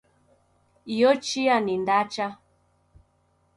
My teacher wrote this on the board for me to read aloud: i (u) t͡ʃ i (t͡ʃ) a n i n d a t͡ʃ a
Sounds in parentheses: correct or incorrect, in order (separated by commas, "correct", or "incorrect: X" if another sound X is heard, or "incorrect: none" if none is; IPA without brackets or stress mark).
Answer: incorrect: ɔ, incorrect: none